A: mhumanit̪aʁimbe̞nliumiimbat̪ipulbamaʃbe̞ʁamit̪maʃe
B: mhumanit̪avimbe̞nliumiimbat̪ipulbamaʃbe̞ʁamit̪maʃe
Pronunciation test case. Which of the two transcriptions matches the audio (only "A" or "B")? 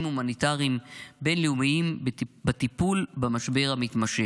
A